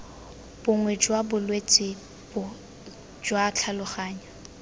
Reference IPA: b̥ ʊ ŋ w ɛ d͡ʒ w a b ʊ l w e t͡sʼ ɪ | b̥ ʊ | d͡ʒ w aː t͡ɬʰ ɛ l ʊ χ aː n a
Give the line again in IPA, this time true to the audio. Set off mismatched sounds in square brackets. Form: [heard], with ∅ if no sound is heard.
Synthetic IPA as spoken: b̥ ʊ ŋ w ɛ d͡ʒ w a b ʊ l w e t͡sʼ ɪ | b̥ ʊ | d͡ʒ w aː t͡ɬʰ [a] l ʊ χ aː [ɲ] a